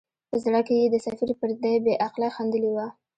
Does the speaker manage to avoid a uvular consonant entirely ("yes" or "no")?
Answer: no